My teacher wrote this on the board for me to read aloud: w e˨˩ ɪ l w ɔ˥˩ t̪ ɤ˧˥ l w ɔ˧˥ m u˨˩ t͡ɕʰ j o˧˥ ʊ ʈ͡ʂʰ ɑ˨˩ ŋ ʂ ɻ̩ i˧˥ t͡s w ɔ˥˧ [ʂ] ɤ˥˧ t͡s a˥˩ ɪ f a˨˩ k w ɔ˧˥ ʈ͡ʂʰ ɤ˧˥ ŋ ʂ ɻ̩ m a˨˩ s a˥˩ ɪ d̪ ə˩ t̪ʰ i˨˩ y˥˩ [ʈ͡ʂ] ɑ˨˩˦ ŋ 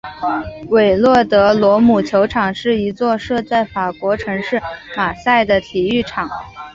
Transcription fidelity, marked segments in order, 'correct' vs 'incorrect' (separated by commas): correct, incorrect